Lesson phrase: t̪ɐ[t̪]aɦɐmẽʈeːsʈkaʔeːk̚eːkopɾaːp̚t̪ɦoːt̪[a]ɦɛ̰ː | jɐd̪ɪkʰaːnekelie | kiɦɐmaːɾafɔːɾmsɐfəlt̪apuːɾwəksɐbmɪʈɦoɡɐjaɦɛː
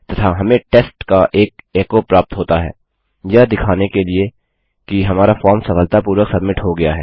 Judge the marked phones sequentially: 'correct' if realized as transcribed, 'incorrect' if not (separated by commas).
incorrect, correct